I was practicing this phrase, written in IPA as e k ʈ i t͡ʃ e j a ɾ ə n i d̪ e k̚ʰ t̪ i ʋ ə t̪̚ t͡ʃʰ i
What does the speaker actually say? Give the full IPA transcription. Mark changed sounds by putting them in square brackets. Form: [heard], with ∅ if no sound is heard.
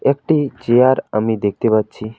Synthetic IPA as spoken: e k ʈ i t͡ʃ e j a ɾ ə [m] i d̪ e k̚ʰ t̪ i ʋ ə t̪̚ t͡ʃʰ i

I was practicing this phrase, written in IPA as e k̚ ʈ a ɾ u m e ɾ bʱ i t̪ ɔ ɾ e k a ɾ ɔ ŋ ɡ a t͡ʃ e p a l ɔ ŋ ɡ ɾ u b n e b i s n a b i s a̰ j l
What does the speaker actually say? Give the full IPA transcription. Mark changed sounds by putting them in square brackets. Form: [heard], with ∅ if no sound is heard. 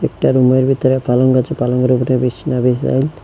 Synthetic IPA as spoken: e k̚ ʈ a ɾ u m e ɾ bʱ i t̪ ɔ ɾ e [p] a [l] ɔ ŋ ɡ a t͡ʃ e p a l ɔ ŋ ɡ ɾ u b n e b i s n a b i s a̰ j l

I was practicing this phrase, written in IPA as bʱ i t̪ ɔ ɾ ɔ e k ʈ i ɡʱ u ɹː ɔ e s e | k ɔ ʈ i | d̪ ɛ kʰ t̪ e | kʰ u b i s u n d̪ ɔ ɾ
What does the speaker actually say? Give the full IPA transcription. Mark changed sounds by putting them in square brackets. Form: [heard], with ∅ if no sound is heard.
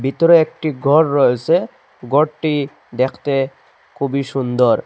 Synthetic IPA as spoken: bʱ i t̪ ɔ ɾ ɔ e k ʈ i ɡʱ [ɔ] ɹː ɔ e s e | [ɡ] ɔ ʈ i | d̪ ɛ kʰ t̪ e | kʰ u b i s u n d̪ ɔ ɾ

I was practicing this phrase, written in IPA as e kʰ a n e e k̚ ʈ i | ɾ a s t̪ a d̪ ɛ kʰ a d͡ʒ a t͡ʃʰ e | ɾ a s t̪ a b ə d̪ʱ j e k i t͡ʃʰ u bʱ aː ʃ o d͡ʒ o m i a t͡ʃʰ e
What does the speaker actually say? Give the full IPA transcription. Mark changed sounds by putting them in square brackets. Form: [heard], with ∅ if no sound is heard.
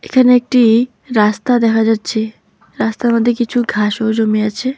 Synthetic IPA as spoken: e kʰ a n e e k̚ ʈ i | ɾ a s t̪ a d̪ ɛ kʰ a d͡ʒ a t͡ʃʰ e | ɾ a s t̪ a [m] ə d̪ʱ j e k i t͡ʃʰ u [ɡʱ] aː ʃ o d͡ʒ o m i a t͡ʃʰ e

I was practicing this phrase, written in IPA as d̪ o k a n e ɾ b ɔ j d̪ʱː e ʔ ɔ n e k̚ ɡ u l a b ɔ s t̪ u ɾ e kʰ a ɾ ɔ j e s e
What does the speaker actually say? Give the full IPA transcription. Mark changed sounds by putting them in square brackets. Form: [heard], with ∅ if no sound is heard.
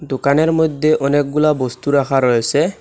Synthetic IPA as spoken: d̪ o k a n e ɾ [m] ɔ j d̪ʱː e ʔ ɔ n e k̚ ɡ u l a b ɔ s t̪ u ɾ [a] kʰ a ɾ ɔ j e s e

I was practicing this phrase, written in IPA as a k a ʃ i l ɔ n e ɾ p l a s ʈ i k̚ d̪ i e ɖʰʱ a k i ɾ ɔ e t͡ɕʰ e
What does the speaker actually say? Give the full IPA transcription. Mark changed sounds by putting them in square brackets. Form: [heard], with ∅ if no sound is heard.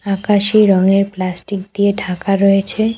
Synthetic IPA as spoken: a k a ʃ i [ɾ] ɔ [ŋ] e ɾ p l a s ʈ i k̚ d̪ i e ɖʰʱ a k [a] ɾ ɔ e t͡ɕʰ e

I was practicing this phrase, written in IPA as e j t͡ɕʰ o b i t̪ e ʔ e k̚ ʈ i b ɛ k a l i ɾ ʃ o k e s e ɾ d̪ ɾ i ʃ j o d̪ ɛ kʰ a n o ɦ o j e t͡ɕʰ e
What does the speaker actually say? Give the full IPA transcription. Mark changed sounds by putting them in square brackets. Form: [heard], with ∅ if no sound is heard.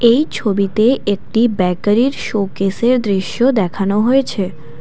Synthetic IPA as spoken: e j t͡ɕʰ o b i t̪ e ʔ e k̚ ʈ i b ɛ k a [ɾ] i ɾ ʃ o k e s e ɾ d̪ ɾ i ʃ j o d̪ ɛ kʰ a n o ɦ o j e t͡ɕʰ e

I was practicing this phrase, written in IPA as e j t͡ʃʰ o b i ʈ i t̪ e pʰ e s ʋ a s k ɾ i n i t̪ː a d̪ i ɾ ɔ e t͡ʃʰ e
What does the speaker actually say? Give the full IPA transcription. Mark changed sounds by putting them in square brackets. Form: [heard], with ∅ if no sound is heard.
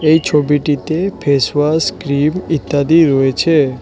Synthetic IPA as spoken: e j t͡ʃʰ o b i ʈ i t̪ e pʰ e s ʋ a s k ɾ i [m] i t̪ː a d̪ i ɾ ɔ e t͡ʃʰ e

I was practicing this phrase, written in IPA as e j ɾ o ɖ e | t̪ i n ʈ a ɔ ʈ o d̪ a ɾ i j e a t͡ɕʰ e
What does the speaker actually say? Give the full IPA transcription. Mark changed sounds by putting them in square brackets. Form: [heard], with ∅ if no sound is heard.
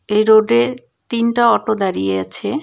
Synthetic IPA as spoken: e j ɾ o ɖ e | t̪ i n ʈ a ɔ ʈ o d̪ a ɾ i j e a t͡ɕʰ e

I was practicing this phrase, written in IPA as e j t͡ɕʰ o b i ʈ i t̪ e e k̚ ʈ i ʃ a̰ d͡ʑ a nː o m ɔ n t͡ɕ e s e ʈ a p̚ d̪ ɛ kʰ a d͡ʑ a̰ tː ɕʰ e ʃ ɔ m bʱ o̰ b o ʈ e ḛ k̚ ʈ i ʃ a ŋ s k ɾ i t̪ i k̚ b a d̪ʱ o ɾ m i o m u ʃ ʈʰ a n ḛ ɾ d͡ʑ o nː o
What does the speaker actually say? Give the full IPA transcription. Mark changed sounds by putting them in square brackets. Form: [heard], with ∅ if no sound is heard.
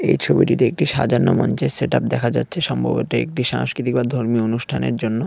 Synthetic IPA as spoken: e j t͡ɕʰ o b i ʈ i t̪ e e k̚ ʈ i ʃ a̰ d͡ʑ a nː o m ɔ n t͡ɕ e s e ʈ a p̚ d̪ ɛ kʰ a d͡ʑ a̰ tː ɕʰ e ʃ ɔ m bʱ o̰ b o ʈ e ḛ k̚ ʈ i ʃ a ŋ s k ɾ i t̪ i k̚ b a d̪ʱ o ɾ m i o [n] u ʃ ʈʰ a n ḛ ɾ d͡ʑ o nː o

